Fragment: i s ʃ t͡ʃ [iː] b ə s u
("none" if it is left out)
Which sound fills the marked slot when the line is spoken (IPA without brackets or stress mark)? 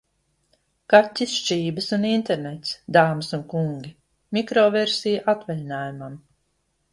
iː